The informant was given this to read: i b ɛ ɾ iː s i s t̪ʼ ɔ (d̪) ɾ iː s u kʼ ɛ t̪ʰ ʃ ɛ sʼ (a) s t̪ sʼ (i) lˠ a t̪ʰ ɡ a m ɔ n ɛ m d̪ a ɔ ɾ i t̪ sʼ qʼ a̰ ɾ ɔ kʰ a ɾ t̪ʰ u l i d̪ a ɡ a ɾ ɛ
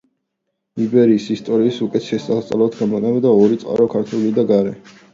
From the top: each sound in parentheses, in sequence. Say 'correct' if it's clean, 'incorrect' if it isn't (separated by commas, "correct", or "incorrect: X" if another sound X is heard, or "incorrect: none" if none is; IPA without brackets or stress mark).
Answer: incorrect: none, correct, incorrect: a